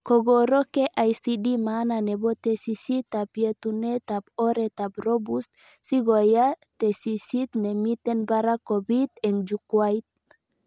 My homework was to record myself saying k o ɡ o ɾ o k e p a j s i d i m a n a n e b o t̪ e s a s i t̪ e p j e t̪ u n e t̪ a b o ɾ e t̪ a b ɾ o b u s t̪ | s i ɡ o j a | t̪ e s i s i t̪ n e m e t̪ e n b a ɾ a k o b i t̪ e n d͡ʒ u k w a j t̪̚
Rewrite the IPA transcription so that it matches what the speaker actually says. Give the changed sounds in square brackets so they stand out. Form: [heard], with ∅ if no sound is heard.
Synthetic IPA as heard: k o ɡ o ɾ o k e [ʔ] a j s i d i m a n a n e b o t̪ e s [i] s i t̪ [a] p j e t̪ u n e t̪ a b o ɾ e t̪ a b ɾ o b u s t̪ | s i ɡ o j a | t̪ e s i s i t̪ n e m [i] t̪ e n b a ɾ a k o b i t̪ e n d͡ʒ u k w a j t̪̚

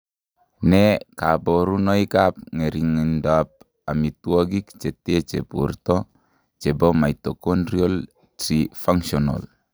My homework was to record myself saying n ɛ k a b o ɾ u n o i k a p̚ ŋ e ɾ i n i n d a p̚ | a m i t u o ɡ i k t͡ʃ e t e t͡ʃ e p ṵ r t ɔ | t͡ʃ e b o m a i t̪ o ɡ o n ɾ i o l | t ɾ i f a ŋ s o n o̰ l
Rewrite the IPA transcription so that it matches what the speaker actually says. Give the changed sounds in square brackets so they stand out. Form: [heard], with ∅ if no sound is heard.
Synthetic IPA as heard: n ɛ k a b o ɾ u n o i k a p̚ ŋ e ɾ i [ŋ] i n d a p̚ | a m i t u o ɡ i k t͡ʃ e t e t͡ʃ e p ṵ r t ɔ | t͡ʃ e b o m a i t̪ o [k] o n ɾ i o l | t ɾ i f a ŋ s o n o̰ l

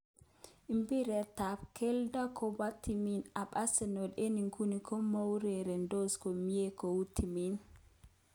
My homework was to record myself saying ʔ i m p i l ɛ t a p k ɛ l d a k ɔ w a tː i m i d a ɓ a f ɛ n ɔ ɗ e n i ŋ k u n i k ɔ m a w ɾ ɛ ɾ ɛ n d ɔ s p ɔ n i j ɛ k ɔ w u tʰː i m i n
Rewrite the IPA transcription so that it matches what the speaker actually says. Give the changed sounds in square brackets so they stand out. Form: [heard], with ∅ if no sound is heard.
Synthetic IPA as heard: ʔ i m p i [ɾ] ɛ t a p k ɛ l d a k ɔ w a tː i m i [n] a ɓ a [s] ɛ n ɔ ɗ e n i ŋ k u n i k ɔ m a w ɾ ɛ ɾ ɛ n d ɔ s [k] ɔ [m] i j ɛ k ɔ w u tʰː i m i n

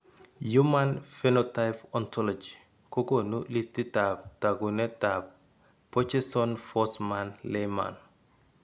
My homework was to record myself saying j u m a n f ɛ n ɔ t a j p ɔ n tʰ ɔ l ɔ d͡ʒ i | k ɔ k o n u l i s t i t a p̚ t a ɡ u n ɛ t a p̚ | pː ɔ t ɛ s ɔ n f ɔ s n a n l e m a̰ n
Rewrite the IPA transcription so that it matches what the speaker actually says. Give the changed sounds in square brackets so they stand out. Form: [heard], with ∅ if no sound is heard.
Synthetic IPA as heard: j u m a n f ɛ n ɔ t a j p ɔ n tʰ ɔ l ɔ d͡ʒ i | k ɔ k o n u l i s t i t a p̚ t a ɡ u n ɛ t a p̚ | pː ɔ [t͡ʃ] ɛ s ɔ n f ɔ s [m] a n l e m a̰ n

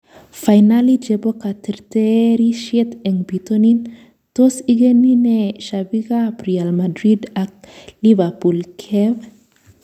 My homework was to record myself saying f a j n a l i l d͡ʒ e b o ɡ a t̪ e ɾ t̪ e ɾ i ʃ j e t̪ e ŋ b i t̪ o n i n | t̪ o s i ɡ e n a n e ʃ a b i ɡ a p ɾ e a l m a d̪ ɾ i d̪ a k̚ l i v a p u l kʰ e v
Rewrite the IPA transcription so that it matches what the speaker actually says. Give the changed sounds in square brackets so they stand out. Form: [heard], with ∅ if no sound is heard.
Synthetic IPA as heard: f a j n a l i [∅] d͡ʒ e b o [k] a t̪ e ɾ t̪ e ɾ i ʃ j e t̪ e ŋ b i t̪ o n i n | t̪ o s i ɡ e n [i] n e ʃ a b i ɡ a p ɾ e a l m a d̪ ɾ i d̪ a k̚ l i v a p u l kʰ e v

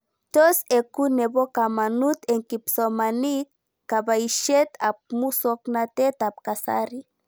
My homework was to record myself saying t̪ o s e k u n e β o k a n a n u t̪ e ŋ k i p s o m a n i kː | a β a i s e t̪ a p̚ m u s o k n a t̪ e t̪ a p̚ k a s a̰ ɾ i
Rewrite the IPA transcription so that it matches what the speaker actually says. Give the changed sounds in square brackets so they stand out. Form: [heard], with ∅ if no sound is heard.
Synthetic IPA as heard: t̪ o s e k u n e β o k a [m] a n u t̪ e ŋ k i p s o m a n i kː | a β a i [ʃ] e t̪ a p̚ m u s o k n a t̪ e t̪ a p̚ k a s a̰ ɾ i

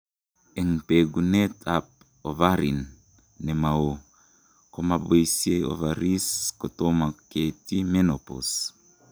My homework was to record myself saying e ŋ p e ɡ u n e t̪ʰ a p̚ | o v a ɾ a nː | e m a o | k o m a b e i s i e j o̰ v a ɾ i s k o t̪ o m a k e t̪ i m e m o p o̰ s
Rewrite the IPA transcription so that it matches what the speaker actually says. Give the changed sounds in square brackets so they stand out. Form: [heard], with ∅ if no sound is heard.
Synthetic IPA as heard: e ŋ p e ɡ u n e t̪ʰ a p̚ | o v a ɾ [i] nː | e m a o | k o m a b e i s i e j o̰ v a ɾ i s k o t̪ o m a k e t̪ i m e [n] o p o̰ s

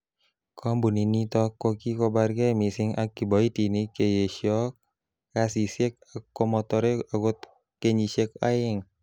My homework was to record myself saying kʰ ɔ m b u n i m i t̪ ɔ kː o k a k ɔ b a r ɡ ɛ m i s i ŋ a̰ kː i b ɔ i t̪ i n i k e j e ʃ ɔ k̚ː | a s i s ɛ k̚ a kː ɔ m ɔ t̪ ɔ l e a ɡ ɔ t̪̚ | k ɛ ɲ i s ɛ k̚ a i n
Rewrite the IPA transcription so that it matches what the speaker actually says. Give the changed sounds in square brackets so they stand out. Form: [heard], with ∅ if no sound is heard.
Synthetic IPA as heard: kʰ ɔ m b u n i [n] i t̪ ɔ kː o k [i] k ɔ b a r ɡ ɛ m i s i ŋ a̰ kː i b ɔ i t̪ i n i k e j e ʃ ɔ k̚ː | a s i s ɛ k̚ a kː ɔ m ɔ t̪ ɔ [ɾ] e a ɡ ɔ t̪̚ | k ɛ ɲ i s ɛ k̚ a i [ŋ]

